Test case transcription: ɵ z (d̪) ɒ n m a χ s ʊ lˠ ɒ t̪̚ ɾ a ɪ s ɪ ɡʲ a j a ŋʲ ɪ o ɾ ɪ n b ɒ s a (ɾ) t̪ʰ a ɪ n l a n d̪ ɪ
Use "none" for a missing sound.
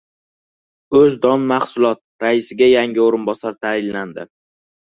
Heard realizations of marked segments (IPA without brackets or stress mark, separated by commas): d̪, ɾ